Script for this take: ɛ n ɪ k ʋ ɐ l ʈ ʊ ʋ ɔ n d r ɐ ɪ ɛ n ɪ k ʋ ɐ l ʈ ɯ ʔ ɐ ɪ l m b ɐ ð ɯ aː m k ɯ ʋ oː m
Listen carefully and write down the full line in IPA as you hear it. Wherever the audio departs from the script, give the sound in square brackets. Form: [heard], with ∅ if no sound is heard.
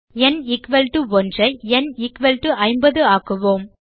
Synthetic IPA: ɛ n ɪ k ʋ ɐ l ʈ [ɯ] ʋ ɔ n d r ɐ ɪ ɛ n ɪ k ʋ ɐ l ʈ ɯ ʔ ɐ ɪ [∅] m b ɐ ð ɯ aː [∅] k ɯ ʋ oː m